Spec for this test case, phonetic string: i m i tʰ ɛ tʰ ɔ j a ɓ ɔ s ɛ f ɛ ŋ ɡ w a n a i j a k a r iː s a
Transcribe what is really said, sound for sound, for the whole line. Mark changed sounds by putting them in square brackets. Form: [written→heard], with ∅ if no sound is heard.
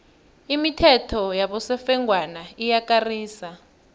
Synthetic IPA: i m i tʰ ɛ tʰ ɔ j a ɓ ɔ s ɛ f ɛ ŋ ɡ w a n a i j a k a r iː s a